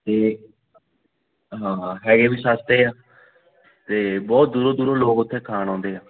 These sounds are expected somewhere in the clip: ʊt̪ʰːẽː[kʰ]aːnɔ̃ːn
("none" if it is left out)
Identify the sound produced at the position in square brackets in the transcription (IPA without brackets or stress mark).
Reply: kʰ